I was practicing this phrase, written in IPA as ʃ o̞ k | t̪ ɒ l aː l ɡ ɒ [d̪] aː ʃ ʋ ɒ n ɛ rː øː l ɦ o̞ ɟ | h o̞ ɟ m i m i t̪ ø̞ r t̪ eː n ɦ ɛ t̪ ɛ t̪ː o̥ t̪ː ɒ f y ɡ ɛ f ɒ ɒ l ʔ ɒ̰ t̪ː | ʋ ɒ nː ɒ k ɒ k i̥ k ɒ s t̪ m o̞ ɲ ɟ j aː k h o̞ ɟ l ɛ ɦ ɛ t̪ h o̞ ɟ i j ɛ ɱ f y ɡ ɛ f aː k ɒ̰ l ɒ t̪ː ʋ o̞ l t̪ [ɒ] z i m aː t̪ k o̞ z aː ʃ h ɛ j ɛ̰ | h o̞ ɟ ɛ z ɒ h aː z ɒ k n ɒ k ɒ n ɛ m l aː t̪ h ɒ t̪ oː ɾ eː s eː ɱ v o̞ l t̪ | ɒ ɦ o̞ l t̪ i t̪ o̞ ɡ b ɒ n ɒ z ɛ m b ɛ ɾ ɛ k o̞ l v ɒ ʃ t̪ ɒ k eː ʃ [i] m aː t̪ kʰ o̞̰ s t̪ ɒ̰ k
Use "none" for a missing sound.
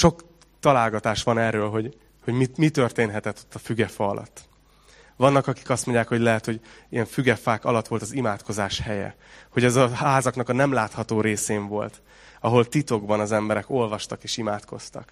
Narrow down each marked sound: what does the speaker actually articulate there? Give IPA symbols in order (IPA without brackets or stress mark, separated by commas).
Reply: t̪, ɒ, i